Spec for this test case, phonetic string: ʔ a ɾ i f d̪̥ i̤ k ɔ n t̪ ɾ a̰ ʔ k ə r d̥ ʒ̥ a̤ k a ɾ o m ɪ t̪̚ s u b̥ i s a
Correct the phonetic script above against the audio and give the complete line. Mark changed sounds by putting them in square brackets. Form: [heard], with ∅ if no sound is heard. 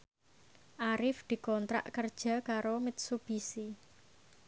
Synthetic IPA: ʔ a ɾ [ɪ] f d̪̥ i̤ k ɔ n t̪ ɾ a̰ ʔ k ə r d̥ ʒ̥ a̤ k a ɾ o m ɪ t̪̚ s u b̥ i s [i]